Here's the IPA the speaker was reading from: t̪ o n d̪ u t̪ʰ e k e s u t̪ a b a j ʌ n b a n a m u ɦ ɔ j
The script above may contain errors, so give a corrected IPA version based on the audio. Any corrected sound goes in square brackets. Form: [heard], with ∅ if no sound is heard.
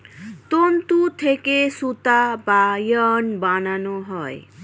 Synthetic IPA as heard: t̪ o n [t̪] u t̪ʰ e k e s u t̪ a b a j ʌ n b a n a [n] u ɦ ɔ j